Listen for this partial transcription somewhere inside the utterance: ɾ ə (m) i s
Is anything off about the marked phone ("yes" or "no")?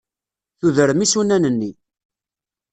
no